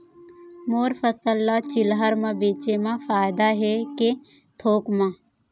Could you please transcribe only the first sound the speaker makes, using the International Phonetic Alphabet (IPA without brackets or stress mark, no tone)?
m